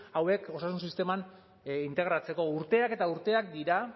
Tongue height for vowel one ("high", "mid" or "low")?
low